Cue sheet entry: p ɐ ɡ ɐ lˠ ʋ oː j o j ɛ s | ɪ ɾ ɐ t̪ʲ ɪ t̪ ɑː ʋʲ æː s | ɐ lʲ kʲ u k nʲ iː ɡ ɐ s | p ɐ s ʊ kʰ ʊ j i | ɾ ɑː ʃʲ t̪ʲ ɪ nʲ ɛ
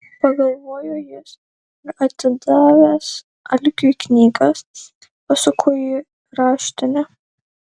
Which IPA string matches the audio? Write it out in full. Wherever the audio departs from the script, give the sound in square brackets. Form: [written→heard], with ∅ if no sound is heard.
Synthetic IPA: p ɐ ɡ ɐ lˠ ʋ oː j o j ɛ s | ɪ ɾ ɐ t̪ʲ ɪ [t̪→d̪] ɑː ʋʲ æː s | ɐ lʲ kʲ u k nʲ iː ɡ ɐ s | p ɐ s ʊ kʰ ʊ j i | ɾ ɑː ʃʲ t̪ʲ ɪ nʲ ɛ